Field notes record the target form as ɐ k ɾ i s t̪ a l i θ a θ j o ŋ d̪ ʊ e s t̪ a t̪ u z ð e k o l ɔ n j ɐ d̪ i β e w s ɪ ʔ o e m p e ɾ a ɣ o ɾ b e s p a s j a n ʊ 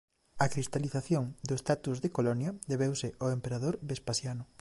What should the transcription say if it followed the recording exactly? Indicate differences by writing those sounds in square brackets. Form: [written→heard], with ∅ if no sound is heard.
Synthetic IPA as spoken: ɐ k ɾ i s t̪ a l i θ a θ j o ŋ d̪ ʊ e s t̪ a t̪ u z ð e k o l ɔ n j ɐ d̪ [i→e] β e w s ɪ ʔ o e m p e ɾ a [ɣ→ð] o ɾ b e s p a s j a n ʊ